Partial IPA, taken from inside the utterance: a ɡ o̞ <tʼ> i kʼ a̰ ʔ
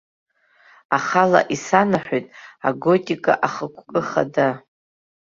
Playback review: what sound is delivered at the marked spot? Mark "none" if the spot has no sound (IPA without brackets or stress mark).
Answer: tʼ